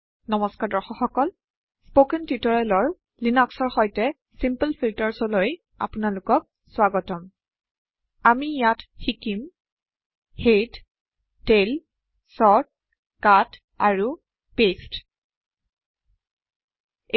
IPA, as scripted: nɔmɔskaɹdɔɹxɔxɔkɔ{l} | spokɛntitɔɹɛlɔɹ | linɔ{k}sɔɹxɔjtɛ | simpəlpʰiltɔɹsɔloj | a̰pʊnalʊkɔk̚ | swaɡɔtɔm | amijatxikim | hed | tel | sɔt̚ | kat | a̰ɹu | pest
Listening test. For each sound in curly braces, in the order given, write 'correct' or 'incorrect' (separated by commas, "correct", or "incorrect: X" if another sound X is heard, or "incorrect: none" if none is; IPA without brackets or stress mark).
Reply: correct, correct